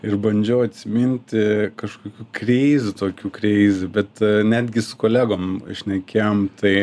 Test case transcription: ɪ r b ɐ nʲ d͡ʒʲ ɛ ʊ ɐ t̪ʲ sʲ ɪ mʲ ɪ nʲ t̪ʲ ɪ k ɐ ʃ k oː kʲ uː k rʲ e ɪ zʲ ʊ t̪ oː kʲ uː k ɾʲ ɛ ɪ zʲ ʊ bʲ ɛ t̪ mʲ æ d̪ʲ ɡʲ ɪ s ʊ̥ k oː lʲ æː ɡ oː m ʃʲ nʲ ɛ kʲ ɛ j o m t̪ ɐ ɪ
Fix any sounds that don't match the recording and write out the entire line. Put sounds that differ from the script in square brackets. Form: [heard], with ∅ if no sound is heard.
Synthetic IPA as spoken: ɪ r b ɐ nʲ d͡ʒʲ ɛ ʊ ɐ t̪ʲ sʲ ɪ mʲ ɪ nʲ t̪ʲ ɪ k ɐ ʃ k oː kʲ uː k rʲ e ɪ zʲ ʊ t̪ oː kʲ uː k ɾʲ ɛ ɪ zʲ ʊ bʲ ɛ t̪ [nʲ] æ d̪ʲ ɡʲ ɪ s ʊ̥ k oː lʲ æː ɡ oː m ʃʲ nʲ ɛ kʲ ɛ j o m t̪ ɐ ɪ